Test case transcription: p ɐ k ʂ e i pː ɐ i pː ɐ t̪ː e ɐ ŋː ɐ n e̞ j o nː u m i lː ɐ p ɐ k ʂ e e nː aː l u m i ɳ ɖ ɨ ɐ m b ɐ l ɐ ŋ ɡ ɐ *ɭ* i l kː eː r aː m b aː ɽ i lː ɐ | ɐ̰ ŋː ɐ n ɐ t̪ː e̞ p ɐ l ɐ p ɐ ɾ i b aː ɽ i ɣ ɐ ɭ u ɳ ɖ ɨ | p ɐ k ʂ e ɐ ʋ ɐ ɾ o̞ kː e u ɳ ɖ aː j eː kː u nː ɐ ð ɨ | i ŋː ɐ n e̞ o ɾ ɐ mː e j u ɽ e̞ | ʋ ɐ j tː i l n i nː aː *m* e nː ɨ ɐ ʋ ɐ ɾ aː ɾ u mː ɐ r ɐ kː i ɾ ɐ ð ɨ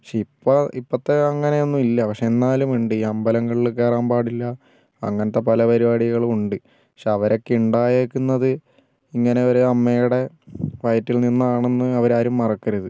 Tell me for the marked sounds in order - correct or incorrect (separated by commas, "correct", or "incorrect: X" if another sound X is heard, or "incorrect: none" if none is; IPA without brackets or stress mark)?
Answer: correct, incorrect: ɳ